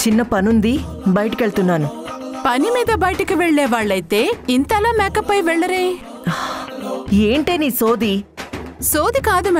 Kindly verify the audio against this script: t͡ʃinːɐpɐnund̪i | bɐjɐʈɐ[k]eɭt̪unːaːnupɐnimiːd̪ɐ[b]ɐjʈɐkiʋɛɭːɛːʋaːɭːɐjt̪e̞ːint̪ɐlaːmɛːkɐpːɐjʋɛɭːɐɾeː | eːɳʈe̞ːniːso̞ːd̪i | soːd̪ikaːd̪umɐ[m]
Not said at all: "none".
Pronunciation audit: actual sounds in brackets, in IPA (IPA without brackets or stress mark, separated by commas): k, b, none